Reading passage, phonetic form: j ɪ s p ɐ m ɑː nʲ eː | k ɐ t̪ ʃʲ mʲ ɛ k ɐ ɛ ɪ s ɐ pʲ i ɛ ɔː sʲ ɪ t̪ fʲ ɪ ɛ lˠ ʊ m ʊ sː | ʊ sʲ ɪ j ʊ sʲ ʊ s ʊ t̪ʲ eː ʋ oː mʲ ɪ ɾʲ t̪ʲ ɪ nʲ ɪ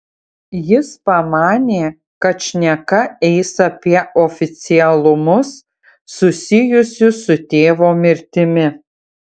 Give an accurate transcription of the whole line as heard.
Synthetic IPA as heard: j ɪ s p ɐ m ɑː nʲ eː | k ɐ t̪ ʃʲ nʲ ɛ k ɐ ɛ ɪ s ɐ pʲ i ɛ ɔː fʲ ɪ t̪ sʲ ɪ ɛ lˠ ʊ m ʊ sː | ʊ sʲ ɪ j ʊ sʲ ʊ s ʊ t̪ʲ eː ʋ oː mʲ ɪ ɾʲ t̪ʲ ɪ mʲ ɪ